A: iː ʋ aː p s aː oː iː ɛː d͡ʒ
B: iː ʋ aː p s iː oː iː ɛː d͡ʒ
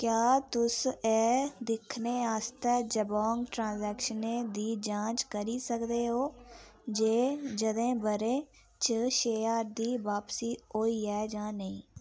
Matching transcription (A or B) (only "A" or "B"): B